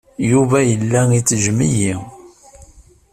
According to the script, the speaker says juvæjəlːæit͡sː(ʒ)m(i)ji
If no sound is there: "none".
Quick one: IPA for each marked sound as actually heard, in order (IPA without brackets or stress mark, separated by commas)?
ʒ, i